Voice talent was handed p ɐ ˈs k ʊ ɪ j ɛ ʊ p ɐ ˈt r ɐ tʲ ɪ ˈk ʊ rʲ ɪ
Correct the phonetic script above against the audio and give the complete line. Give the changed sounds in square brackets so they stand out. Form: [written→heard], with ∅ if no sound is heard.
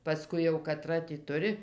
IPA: p ɐ ˈs k ʊ ɪ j ɛ ʊ [p→k] ɐ ˈt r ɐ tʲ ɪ [ˈk→ˈt] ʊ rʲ ɪ